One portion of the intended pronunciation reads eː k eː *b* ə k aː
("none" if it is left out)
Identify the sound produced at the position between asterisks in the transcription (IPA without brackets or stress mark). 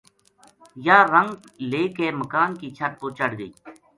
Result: m